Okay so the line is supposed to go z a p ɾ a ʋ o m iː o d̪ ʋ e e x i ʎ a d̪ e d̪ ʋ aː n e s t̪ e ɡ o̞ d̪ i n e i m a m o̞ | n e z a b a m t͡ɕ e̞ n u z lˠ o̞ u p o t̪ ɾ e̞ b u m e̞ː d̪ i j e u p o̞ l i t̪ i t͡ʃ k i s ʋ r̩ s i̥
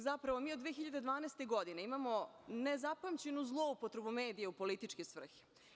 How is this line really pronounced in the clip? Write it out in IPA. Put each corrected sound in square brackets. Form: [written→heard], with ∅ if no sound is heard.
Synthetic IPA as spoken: z a p ɾ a ʋ o m iː o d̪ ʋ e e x i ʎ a d̪ e d̪ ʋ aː n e s t̪ e ɡ o̞ d̪ i n e i m a m o̞ | n e z a [b→p] a m t͡ɕ e̞ n u z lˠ o̞ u p o t̪ ɾ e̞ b u m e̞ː d̪ i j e u p o̞ l i t̪ i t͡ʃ k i s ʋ r̩ [s→x] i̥